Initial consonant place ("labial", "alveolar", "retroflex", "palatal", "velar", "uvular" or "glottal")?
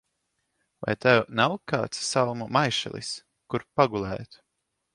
labial